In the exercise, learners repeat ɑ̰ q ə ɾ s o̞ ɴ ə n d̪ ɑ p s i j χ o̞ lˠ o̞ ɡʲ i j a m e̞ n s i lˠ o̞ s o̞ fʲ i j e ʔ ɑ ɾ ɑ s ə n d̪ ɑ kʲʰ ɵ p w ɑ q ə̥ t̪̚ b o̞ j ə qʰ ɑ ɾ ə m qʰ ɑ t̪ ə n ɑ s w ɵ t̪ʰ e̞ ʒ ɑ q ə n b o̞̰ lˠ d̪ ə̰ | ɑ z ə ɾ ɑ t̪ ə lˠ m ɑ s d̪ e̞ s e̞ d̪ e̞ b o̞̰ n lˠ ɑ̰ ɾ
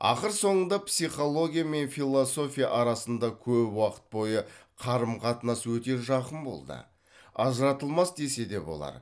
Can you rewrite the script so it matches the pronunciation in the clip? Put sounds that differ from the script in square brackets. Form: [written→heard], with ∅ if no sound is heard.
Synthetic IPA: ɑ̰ q ə ɾ s o̞ ɴ ə n d̪ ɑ p s i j χ o̞ lˠ o̞ ɡʲ i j a m e̞ n [s→f] i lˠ o̞ s o̞ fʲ i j [e→a] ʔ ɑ ɾ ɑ s ə n d̪ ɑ kʲʰ ɵ p w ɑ q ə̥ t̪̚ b o̞ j ə qʰ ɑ ɾ ə m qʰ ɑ t̪ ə n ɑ s w ɵ [t̪ʰ→t̪] e̞ ʒ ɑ q ə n b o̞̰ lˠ d̪ ə̰ | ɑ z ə ɾ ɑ t̪ ə lˠ m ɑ s d̪ e̞ s e̞ d̪ e̞ b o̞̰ [n→∅] lˠ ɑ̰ ɾ